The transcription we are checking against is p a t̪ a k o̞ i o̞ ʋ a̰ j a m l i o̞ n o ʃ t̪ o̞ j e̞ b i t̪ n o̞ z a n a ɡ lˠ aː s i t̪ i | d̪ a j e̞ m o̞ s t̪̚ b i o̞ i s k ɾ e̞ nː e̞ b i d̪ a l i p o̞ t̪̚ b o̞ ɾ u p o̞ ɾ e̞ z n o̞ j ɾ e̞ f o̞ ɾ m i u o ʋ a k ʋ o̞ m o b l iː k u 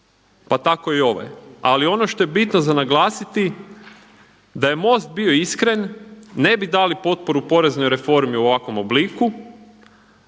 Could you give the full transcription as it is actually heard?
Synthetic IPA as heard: p a t̪ a k o̞ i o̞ ʋ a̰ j a l i o̞ n o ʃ t̪ o̞ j e̞ b i t̪ n o̞ z a n a ɡ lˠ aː s i t̪ i | d̪ a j e̞ m o̞ s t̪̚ b i o̞ i s k ɾ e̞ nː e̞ b i d̪ a l i p o̞ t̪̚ p o̞ ɾ u p o̞ ɾ e̞ z n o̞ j ɾ e̞ f o̞ ɾ m i u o ʋ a k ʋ o̞ m o b l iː k u